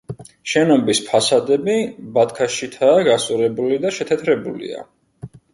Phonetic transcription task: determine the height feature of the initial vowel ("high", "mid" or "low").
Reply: mid